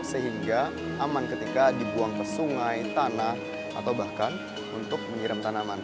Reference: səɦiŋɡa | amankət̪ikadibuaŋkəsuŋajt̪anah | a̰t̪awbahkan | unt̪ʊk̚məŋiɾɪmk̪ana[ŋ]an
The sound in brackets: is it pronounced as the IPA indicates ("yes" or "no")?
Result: no